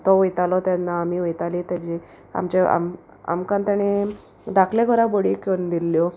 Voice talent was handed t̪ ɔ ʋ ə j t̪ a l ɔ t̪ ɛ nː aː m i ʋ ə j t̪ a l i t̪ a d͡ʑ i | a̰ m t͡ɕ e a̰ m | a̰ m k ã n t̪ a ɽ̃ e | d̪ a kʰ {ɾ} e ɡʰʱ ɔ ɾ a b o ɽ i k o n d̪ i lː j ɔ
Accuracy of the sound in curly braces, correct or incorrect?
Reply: incorrect